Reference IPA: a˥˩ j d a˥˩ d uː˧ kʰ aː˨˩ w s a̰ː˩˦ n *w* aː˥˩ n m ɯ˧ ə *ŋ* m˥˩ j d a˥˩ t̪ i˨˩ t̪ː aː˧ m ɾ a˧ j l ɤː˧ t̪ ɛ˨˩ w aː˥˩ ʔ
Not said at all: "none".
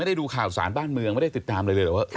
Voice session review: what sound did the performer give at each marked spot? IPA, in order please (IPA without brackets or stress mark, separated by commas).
b, ŋ